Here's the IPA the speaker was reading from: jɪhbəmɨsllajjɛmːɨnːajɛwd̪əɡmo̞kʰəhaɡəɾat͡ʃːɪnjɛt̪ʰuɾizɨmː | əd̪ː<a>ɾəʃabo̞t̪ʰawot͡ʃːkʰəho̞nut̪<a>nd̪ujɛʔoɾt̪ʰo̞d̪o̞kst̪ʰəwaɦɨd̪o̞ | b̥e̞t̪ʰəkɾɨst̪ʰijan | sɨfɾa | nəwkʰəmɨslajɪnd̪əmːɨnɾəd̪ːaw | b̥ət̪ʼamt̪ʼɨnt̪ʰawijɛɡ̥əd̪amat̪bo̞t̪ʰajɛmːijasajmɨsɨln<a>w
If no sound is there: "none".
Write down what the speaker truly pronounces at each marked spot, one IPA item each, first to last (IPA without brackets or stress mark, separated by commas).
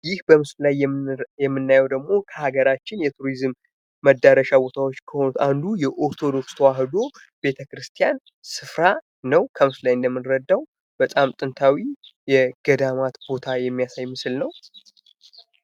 a, a, ə